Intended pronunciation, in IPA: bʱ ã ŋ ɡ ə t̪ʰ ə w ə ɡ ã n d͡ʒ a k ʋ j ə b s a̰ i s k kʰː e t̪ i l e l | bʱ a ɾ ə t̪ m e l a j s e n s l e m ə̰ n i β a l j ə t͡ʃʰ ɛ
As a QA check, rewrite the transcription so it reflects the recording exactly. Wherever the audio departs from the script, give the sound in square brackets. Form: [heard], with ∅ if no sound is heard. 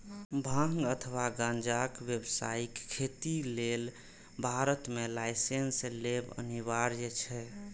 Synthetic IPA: bʱ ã ŋ ɡ ə t̪ʰ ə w [a] ɡ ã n d͡ʒ a k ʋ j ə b s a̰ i [∅] k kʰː e t̪ i l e l | bʱ a ɾ ə t̪ m e l a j s e n s l e [b] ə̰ n i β a [ɾ] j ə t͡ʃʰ ɛ